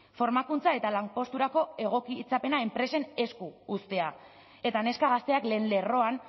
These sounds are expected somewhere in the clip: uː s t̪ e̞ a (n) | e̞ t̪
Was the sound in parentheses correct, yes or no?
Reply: no